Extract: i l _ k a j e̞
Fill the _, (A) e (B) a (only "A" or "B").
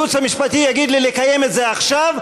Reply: A